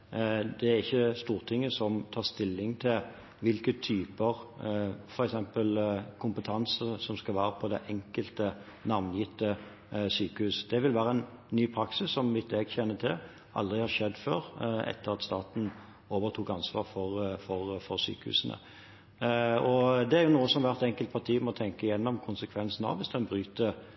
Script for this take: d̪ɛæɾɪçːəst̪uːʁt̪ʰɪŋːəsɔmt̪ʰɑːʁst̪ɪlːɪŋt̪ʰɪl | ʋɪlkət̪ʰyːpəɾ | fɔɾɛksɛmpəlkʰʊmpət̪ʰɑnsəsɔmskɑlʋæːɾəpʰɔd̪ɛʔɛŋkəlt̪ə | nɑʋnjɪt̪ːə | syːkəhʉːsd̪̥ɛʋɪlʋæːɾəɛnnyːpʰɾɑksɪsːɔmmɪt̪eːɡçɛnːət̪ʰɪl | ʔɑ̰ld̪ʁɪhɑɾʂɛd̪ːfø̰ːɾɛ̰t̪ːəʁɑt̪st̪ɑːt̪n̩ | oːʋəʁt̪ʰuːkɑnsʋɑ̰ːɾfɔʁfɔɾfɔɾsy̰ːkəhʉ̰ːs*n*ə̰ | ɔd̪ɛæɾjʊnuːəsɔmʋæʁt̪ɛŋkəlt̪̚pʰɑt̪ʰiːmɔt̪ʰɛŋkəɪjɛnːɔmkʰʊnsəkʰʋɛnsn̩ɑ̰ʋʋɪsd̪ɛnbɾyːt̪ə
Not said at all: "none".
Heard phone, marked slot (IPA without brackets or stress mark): n